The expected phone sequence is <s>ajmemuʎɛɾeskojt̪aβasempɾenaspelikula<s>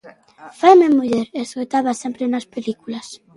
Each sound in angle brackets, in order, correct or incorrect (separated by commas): incorrect, correct